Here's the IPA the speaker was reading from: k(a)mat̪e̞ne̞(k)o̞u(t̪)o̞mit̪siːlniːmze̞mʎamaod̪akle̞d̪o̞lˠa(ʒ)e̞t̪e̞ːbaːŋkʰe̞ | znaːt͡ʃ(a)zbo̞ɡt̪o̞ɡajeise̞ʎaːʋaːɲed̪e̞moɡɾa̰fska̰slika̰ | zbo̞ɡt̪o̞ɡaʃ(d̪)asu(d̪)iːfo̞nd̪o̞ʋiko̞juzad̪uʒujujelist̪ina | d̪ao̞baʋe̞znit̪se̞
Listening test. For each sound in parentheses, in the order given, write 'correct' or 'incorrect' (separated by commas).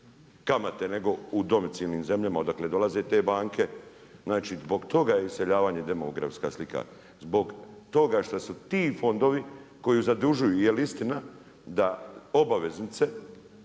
correct, incorrect, incorrect, incorrect, incorrect, incorrect, incorrect